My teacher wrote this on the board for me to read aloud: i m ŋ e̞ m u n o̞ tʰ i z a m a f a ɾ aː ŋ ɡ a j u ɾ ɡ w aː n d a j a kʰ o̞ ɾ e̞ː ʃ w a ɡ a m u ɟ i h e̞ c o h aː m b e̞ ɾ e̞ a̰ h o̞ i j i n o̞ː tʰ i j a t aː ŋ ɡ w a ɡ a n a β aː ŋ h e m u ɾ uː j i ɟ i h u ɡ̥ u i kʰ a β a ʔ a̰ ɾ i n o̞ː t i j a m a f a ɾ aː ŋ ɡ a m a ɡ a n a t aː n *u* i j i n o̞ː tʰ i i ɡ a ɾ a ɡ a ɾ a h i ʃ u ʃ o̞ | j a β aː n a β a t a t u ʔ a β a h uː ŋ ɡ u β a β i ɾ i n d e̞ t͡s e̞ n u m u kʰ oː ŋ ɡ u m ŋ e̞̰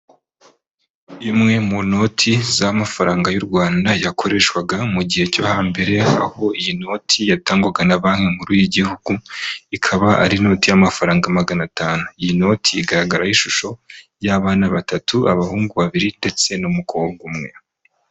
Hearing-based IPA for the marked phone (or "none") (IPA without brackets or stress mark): u